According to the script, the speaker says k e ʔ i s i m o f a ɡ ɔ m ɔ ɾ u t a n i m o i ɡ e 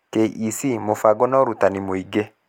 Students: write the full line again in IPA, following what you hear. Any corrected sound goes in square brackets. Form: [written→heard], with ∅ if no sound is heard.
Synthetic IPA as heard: k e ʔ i s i m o f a ɡ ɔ [m→n] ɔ ɾ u t a n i m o i ɡ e